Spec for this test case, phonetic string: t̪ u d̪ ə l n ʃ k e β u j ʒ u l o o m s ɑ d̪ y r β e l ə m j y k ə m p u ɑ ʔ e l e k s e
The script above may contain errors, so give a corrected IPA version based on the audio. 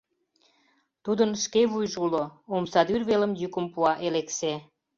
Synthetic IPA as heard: t̪ u d̪ ə n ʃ k e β u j ʒ u l o o m s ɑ d̪ y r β e l ə m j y k ə m p u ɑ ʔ e l e k s e